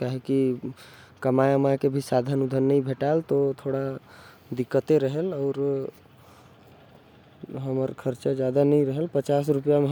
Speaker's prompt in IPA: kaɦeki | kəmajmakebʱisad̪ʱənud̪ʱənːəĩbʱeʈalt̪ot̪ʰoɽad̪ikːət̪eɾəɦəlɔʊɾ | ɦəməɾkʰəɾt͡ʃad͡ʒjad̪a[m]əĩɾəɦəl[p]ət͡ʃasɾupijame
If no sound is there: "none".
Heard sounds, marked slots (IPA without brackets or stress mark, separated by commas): n, p